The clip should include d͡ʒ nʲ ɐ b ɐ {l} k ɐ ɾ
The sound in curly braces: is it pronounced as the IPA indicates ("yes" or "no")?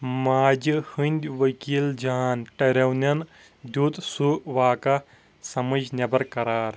no